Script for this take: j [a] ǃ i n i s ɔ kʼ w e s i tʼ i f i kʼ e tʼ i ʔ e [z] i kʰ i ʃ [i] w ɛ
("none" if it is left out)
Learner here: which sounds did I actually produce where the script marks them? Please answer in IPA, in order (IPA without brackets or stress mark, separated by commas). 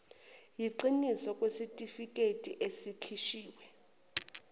i, s, iː